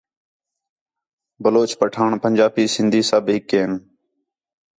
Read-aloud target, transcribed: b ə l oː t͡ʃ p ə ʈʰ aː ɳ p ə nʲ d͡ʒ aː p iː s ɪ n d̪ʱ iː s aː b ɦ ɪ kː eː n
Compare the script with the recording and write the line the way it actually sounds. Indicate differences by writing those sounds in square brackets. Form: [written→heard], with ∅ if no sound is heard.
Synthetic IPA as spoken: b ə l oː t͡ʃ p ə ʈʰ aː ɳ p ə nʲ d͡ʒ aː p iː s ɪ n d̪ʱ iː s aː b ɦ ɪ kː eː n